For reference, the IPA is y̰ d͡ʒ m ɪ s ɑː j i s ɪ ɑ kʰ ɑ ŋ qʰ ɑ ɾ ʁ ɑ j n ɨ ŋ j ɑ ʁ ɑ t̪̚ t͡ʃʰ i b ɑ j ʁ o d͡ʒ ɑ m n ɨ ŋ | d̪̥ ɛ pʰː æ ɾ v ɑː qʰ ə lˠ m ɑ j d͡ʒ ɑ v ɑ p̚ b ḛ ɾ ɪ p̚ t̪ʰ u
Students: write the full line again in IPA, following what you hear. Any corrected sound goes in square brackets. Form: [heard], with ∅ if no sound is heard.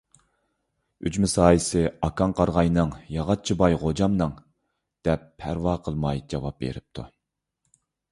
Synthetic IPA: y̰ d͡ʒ m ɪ s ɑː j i s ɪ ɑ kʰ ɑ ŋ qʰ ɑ ɾ ʁ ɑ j n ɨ ŋ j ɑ ʁ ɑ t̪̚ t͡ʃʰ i b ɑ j ʁ o d͡ʒ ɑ m n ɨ ŋ | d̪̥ ɛ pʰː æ ɾ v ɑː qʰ ə lˠ m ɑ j d͡ʒ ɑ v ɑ p̚ b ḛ ɾ ɪ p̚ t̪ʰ u